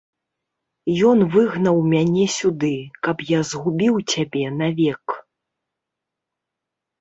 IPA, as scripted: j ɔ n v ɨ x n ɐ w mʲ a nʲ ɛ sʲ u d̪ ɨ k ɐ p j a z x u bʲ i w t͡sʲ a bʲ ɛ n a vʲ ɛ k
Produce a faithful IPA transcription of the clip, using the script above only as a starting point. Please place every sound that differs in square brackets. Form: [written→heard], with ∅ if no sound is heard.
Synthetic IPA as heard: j ɔ n v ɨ [x→ɣ] n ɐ w mʲ a nʲ ɛ sʲ u d̪ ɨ k ɐ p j a z [x→ɣ] u bʲ i w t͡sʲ a bʲ ɛ n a vʲ ɛ k